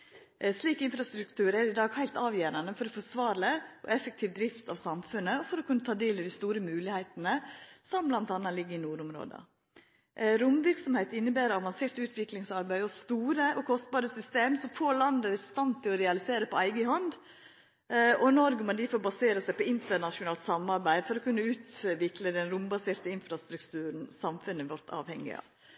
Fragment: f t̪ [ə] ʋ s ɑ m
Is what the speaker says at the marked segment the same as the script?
no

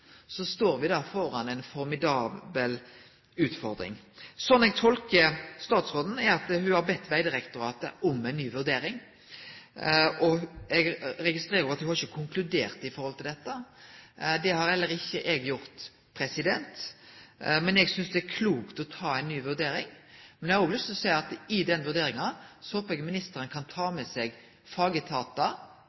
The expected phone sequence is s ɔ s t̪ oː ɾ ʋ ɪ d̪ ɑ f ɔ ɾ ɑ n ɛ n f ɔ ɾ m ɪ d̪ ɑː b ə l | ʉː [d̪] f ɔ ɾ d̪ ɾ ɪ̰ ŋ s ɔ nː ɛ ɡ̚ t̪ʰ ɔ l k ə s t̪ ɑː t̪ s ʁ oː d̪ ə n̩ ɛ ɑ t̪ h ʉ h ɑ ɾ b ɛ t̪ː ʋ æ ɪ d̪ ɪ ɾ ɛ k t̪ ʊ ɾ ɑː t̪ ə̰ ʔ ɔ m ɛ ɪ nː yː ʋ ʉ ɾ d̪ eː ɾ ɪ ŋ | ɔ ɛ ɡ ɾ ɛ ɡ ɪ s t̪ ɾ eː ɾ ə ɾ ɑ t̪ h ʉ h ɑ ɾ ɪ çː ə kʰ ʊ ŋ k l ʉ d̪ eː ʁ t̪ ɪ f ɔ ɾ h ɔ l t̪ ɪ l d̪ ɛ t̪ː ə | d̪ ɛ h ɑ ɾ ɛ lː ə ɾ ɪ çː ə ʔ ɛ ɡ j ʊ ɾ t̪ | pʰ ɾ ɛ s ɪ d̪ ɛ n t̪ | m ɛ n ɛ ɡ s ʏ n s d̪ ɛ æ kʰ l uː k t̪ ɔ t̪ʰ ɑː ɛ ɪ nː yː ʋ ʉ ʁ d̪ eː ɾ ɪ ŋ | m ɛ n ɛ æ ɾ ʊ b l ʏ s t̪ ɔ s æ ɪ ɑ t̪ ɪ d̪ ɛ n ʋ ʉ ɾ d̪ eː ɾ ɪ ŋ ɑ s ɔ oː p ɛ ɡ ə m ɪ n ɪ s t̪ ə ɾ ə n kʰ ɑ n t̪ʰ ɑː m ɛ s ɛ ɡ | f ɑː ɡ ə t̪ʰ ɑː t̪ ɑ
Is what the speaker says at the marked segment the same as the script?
no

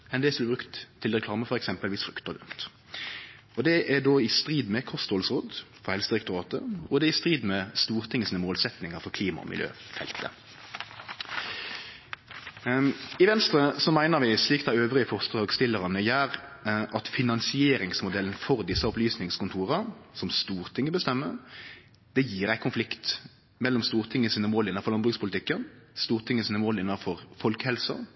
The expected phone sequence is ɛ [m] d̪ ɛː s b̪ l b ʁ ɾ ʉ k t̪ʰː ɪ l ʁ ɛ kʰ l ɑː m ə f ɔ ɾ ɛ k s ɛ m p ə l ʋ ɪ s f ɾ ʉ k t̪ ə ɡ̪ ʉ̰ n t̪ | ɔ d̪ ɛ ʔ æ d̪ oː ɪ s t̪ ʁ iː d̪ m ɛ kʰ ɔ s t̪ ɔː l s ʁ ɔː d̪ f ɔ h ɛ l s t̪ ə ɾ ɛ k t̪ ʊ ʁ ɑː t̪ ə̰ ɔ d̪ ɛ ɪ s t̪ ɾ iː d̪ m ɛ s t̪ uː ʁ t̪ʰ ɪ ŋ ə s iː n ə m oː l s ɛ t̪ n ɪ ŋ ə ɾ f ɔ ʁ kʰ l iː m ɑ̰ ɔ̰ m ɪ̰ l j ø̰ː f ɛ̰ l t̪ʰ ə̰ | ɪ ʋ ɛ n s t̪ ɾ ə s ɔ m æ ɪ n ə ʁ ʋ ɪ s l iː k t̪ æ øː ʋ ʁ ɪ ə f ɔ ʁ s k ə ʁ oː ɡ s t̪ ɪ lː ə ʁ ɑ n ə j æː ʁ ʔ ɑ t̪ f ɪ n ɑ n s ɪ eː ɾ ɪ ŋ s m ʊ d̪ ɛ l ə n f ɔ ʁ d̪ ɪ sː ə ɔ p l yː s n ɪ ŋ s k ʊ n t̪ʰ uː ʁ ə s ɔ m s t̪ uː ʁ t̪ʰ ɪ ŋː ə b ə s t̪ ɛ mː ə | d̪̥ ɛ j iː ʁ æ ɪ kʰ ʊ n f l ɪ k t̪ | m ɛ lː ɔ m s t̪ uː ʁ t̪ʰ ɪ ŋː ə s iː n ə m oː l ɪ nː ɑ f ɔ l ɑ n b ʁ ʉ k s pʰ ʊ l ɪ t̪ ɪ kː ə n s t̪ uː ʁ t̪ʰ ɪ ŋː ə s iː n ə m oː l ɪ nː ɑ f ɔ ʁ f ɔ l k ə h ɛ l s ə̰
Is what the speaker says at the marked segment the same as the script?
no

